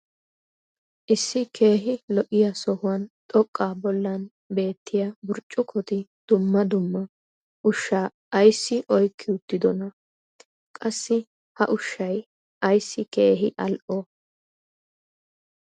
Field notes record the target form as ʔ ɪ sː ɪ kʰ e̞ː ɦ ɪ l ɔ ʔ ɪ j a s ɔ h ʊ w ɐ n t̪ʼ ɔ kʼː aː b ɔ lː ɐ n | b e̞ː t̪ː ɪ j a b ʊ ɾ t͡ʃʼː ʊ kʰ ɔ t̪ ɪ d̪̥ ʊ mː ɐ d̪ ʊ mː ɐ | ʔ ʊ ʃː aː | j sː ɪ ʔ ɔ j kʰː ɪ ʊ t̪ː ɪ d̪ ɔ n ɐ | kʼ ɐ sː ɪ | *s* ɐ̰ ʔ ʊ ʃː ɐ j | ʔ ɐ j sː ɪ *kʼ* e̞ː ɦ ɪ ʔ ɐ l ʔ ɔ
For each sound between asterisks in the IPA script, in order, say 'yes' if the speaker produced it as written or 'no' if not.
no, no

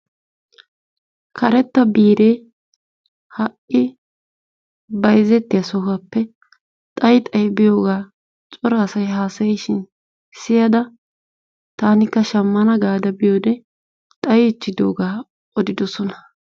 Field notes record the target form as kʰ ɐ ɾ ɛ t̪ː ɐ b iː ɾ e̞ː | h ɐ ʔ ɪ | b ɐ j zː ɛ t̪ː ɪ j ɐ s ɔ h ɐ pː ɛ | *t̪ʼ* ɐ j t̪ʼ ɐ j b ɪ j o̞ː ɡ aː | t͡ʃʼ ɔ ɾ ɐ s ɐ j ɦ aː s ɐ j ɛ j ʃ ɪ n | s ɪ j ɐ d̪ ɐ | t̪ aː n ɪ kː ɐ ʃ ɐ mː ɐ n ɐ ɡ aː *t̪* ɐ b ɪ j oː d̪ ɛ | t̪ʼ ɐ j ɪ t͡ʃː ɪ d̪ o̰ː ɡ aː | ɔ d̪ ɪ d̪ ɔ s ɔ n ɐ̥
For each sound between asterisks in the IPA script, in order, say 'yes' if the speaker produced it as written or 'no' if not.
yes, no

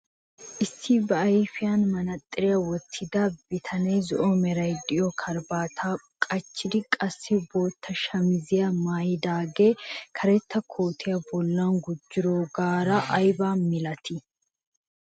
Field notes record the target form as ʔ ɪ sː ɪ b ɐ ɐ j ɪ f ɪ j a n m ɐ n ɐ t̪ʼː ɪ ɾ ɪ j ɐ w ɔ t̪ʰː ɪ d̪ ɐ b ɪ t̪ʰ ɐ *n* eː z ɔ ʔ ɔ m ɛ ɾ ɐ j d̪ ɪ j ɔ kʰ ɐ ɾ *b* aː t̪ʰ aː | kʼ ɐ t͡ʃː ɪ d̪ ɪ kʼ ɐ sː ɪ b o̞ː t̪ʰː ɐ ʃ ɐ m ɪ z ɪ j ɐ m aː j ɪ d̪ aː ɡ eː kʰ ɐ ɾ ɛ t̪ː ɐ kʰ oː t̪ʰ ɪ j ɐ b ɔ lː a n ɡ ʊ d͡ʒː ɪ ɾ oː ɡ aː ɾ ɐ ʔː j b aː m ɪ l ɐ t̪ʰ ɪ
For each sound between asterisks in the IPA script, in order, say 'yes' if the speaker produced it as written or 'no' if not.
yes, yes

